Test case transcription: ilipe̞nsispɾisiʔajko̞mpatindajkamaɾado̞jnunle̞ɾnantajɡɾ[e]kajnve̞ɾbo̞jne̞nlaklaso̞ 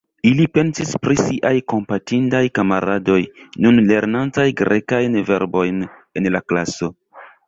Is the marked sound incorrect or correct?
correct